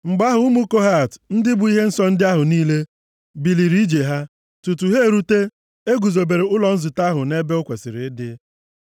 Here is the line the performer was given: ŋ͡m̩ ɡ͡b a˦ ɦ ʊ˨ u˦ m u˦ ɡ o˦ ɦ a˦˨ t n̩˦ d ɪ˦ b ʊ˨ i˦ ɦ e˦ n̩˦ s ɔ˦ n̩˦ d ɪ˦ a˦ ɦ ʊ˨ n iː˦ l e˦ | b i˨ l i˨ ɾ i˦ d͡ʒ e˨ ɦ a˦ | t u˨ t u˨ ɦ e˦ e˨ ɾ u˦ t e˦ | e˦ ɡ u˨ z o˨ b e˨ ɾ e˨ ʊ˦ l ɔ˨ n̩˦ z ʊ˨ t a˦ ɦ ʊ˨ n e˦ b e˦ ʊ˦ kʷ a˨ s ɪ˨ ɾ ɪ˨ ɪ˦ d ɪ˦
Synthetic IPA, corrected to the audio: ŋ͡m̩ ɡ͡b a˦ ɦ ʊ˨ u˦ m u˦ k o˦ ɦ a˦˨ t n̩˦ d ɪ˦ b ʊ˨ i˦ ɦ e˦ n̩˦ s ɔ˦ n̩˦ d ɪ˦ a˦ ɦ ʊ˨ n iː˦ l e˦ | b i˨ l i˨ ɾ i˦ d͡ʒ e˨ ɦ a˦ | t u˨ t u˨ ɦ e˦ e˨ ɾ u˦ t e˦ | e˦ ɡ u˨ z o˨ b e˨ ɾ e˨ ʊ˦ l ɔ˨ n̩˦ z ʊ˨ t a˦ ɦ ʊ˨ n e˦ b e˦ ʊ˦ kʷ e˨ s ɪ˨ ɾ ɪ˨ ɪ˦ d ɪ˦